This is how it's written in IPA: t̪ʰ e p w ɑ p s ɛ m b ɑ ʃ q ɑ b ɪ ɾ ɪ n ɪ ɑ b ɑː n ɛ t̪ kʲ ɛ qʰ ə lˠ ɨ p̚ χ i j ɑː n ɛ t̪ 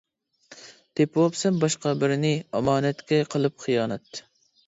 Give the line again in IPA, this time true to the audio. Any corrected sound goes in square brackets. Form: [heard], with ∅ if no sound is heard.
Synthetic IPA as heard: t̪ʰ e p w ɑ p s ɛ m b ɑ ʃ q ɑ b ɪ ɾ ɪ n ɪ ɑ [m] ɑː n ɛ t̪ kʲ ɛ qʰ ə lˠ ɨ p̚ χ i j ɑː n ɛ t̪